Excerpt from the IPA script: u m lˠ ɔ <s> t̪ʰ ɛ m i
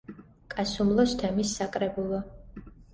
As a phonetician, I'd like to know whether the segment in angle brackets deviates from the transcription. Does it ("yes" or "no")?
no